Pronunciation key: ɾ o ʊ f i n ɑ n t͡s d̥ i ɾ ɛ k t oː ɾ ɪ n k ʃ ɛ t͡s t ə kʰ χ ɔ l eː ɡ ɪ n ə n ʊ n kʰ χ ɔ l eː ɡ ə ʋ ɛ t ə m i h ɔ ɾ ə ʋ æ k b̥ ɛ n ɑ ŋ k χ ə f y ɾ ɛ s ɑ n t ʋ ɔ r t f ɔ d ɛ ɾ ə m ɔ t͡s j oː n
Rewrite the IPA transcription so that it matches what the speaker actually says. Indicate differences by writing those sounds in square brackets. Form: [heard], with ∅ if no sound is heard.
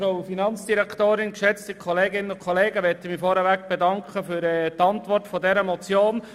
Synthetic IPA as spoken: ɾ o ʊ f i n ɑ n t͡s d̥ i ɾ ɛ k t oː ɾ ɪ n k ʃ ɛ t͡s t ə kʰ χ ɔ l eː ɡ ɪ n ə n ʊ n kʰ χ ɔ l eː ɡ ə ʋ ɛ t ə m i [f] ɔ ɾ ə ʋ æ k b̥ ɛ [d] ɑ ŋ k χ ə f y ɾ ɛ [t] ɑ n t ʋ ɔ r t f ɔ d ɛ ɾ ə m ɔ t͡s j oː n